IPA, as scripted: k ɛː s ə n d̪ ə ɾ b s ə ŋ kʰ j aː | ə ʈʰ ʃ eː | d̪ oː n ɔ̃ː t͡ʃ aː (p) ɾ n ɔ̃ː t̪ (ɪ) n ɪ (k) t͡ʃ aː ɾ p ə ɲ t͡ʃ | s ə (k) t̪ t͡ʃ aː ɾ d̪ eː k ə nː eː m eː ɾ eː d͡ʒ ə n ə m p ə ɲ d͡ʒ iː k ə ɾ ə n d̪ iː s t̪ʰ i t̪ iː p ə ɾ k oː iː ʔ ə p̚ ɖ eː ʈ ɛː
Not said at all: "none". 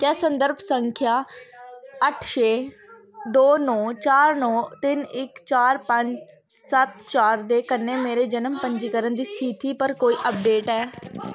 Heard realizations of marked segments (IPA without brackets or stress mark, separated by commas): none, ɪ, k, none